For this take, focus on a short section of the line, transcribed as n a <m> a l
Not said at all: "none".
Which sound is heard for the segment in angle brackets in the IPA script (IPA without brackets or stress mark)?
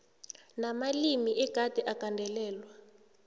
m